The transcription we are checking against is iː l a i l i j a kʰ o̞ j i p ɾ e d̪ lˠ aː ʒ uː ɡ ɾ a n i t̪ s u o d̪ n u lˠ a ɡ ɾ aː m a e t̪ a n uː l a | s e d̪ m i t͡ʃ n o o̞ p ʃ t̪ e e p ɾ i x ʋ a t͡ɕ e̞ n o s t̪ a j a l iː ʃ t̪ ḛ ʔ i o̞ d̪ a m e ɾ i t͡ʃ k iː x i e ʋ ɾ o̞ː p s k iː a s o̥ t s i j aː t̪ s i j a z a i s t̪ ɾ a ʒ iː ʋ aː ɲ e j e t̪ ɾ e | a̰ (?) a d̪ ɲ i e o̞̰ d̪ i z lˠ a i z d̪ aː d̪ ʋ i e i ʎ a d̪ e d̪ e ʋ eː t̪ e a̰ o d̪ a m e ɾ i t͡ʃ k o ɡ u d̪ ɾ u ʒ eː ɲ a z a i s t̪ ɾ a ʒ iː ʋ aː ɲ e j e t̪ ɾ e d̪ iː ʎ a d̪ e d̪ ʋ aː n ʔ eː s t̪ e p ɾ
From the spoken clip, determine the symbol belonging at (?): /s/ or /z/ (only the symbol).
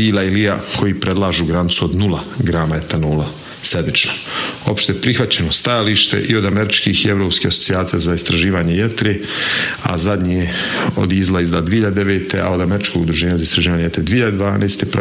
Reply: z